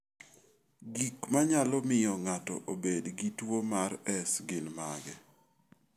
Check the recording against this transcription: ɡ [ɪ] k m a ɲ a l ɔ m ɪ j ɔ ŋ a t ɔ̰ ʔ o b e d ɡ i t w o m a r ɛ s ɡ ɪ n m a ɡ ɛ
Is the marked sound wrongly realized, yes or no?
yes